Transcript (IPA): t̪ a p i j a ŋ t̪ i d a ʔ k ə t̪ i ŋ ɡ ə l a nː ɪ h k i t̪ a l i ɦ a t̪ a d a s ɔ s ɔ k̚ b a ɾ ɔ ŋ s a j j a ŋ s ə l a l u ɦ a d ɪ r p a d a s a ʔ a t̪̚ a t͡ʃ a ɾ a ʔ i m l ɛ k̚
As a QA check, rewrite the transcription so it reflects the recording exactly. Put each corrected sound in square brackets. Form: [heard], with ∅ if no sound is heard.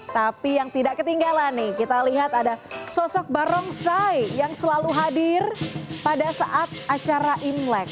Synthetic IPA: t̪ a p i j a ŋ t̪ i d a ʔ k ə t̪ i ŋ ɡ [a] l a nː ɪ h k i t̪ a l i ɦ a t̪ a d a s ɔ s ɔ k̚ b a ɾ ɔ ŋ s a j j a ŋ s ə l a l u ɦ a d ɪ r p a d a s a ʔ a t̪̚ a t͡ʃ a ɾ a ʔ i m l ɛ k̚